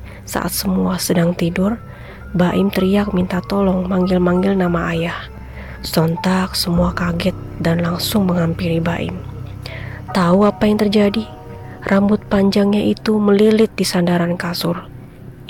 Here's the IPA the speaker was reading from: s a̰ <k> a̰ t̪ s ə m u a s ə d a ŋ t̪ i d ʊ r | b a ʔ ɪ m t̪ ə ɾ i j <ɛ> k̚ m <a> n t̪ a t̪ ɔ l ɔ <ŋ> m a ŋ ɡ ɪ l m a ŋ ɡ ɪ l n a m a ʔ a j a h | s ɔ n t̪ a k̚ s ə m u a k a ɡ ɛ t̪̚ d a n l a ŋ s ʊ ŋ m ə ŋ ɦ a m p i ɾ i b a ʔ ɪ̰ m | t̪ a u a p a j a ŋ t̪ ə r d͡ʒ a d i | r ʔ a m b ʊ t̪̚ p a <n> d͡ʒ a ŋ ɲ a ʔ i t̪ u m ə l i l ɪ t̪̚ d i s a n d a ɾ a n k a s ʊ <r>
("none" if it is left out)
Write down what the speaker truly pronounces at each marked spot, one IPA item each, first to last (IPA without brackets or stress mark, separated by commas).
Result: ʔ, a, i, ŋ, ɲ, r